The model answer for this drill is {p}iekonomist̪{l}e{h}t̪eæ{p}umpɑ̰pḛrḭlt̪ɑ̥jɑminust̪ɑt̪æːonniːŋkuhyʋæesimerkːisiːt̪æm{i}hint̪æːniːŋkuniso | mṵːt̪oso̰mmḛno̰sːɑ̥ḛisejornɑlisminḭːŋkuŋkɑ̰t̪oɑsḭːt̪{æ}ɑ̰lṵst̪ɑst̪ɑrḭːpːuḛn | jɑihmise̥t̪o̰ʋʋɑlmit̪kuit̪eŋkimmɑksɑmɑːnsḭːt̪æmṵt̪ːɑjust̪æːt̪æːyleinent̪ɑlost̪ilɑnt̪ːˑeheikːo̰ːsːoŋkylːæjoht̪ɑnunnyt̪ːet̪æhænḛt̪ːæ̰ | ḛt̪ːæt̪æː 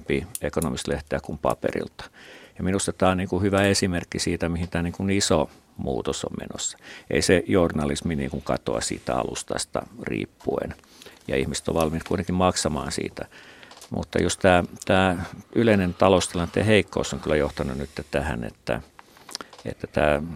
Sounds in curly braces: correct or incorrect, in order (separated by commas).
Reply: correct, correct, correct, incorrect, correct, correct